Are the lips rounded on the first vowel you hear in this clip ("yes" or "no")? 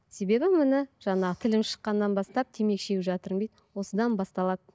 no